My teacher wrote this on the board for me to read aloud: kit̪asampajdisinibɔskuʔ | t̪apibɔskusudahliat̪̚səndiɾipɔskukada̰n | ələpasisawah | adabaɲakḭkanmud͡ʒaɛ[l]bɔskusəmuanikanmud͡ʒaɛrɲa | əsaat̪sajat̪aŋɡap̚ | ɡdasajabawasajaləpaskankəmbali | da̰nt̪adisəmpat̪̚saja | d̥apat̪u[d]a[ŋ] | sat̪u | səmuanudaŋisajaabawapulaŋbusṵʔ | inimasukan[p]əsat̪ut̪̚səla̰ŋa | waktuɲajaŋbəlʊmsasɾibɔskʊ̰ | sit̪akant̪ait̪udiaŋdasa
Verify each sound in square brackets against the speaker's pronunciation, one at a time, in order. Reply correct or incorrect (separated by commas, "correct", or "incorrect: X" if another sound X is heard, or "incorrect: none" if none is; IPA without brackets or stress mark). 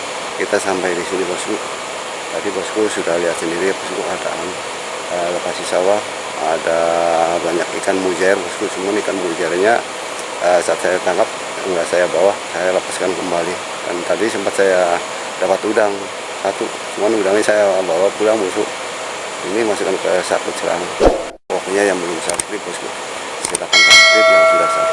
incorrect: r, correct, correct, incorrect: k